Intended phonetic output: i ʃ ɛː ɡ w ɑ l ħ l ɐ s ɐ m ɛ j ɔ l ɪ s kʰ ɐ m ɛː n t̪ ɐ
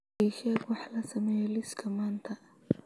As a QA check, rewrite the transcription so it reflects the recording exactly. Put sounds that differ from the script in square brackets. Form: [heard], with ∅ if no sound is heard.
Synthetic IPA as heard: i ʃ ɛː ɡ w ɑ [∅] ħ l ɐ s ɐ m ɛ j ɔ l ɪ s kʰ ɐ m [aː] n [t̪ʰ] ɐ